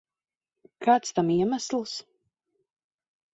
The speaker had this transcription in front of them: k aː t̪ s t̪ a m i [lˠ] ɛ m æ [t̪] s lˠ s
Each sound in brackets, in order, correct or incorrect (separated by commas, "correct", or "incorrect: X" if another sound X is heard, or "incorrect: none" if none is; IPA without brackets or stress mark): incorrect: none, incorrect: none